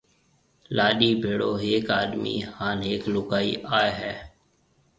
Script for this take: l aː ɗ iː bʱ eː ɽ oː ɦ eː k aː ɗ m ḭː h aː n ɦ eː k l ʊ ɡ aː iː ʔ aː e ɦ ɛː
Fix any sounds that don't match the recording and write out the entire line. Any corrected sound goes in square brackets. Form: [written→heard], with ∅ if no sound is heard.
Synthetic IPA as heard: l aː ɗ iː bʱ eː ɽ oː ɦ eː k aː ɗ m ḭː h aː n ɦ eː k l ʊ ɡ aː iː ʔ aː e ɦ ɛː